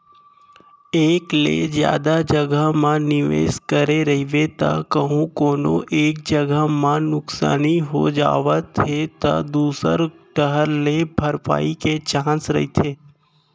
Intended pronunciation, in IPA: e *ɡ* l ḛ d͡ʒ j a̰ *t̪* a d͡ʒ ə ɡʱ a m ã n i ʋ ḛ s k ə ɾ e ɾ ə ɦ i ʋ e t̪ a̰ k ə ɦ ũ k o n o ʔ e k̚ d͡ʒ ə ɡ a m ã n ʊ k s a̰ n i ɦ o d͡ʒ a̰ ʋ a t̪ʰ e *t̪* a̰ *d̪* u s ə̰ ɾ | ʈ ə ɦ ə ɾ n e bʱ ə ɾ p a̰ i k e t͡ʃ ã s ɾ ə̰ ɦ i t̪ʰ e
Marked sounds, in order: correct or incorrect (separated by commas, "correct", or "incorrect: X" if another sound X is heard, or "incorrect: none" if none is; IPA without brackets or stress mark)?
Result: incorrect: k, incorrect: d̪, correct, correct